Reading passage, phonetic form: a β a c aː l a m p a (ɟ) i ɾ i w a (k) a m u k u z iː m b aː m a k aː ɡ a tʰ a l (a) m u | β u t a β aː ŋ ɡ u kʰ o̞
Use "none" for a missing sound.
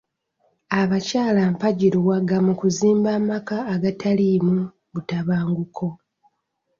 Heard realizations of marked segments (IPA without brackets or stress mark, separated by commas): ɟ, ɡ, i